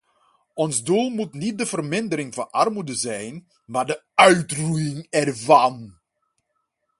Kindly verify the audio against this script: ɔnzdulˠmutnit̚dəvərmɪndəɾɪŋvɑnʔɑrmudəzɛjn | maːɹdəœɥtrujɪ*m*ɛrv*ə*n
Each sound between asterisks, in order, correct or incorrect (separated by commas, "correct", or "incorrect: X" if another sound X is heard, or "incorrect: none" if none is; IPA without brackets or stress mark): incorrect: ŋ, incorrect: ɑ